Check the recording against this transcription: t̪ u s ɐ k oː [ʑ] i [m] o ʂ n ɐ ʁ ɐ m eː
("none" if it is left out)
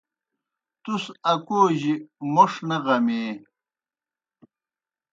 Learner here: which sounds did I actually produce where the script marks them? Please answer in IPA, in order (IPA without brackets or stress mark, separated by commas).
ʑ, m